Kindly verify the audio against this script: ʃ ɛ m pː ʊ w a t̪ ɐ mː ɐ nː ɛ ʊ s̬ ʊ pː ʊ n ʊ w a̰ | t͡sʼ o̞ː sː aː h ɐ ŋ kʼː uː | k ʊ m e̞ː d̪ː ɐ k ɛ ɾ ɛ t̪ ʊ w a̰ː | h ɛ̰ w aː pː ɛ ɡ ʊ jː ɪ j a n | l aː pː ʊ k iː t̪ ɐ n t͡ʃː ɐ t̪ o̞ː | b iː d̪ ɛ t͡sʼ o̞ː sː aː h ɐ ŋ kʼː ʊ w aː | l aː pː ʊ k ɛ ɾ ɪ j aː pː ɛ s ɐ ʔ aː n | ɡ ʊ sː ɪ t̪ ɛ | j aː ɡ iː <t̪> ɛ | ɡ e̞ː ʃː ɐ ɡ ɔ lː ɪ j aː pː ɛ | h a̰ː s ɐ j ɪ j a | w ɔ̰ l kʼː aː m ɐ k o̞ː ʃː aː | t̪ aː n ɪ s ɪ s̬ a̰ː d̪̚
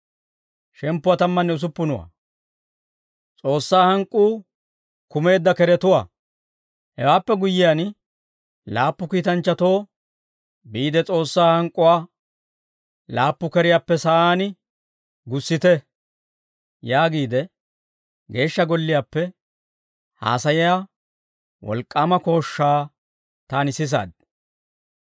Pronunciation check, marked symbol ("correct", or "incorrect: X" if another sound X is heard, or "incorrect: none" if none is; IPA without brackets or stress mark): incorrect: d̪